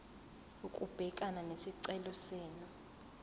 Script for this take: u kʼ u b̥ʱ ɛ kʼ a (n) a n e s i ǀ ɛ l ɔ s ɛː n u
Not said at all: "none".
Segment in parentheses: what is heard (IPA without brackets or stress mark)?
n